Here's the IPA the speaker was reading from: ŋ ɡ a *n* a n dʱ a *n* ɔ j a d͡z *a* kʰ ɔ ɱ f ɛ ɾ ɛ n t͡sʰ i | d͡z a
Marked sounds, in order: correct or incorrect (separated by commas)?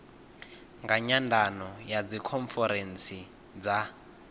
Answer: incorrect, correct, incorrect